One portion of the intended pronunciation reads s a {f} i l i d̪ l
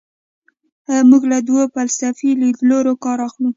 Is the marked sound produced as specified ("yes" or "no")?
yes